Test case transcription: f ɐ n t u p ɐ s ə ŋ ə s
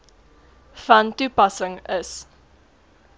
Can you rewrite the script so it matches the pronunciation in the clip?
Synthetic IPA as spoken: f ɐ n t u p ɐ s ə ŋ ə s